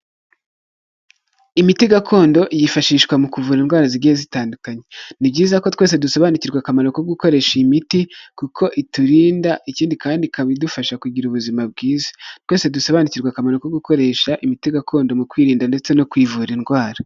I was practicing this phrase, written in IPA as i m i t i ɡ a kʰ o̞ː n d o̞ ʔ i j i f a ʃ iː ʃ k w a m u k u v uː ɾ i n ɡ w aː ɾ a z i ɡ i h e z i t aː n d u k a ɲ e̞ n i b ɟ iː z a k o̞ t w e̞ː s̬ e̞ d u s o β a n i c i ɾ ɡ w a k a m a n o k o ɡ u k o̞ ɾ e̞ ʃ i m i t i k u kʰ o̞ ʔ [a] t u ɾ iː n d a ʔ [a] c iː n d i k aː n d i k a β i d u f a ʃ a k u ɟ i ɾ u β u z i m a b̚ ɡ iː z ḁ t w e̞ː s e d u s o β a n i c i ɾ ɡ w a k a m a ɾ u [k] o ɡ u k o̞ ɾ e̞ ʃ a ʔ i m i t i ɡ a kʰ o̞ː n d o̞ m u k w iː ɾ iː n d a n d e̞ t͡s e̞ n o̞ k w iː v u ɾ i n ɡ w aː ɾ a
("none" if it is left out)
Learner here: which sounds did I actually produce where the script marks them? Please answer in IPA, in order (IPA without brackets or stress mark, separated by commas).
i, i, k